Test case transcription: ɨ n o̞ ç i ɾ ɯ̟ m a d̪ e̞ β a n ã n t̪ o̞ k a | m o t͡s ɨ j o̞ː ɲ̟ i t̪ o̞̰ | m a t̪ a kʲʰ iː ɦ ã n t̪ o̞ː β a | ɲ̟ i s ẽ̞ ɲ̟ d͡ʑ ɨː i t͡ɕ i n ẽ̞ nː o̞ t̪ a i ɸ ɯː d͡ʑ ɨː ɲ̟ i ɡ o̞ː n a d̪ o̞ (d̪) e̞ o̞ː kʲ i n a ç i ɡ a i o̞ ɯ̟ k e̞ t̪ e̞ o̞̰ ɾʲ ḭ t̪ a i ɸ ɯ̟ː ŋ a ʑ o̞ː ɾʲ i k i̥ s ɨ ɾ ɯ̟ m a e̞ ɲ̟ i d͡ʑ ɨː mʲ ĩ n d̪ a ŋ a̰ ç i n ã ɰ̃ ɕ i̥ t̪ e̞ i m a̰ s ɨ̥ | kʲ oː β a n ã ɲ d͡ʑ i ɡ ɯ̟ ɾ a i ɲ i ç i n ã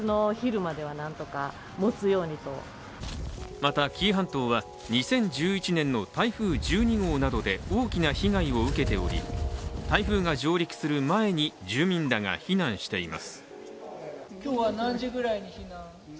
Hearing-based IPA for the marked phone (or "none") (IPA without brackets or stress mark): d̪